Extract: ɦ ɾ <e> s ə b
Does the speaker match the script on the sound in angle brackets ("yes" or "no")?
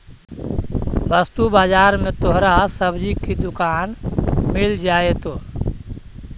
no